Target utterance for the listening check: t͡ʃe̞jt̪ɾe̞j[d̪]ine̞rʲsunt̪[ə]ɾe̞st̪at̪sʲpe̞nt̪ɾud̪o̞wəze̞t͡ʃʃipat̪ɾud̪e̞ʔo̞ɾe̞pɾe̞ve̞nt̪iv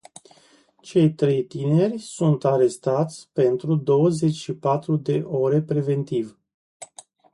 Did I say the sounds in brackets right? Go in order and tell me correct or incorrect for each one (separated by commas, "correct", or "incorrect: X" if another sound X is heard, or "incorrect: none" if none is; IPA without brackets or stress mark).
incorrect: t̪, incorrect: a